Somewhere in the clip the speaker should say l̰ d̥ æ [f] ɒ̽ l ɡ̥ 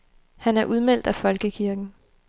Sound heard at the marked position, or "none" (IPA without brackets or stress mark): f